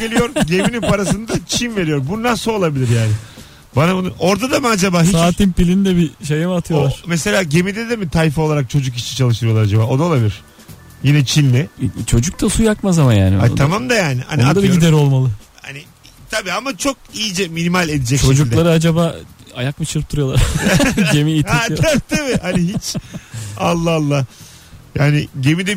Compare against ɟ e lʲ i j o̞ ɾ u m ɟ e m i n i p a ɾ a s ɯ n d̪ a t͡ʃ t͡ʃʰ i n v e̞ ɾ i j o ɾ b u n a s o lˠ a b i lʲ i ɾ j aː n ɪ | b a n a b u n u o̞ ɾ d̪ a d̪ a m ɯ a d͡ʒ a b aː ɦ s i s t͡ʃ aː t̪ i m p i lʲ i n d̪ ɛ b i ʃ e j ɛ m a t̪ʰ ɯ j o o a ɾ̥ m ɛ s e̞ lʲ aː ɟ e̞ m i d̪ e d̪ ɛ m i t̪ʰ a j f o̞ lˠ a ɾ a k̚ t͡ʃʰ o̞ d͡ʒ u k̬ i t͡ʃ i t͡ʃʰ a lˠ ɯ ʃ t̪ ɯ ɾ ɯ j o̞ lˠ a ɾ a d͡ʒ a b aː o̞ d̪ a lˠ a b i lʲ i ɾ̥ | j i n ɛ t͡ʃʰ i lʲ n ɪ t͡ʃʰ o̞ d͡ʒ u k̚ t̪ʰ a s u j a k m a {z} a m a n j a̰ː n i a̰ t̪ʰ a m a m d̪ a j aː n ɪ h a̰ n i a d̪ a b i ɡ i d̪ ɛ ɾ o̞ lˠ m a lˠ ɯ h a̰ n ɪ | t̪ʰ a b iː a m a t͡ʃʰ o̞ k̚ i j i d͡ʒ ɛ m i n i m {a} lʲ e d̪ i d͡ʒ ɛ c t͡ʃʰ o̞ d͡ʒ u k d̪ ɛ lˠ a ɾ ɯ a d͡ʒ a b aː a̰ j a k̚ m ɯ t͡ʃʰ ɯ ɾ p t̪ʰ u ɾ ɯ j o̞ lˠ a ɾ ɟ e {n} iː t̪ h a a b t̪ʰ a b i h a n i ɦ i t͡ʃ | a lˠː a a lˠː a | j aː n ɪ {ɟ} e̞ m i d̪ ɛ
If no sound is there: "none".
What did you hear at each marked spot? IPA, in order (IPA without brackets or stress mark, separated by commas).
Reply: z, a, m, ɟ